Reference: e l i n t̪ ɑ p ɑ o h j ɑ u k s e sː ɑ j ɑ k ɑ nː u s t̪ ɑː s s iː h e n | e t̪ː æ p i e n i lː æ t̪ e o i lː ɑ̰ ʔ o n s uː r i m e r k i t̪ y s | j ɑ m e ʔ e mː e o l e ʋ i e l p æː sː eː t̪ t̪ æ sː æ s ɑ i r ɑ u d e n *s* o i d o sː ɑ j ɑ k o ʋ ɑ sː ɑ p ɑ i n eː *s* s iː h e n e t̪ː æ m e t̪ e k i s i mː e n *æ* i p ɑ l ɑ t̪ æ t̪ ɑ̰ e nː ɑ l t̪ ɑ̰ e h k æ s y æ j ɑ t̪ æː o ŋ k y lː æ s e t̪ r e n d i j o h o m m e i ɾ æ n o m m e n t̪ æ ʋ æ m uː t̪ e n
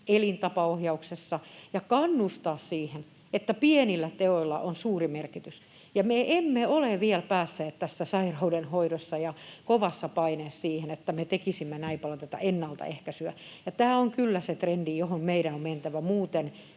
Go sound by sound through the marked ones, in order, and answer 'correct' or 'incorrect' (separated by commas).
incorrect, correct, correct